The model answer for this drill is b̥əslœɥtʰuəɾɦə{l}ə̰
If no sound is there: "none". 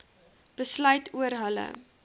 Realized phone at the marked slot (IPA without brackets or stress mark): l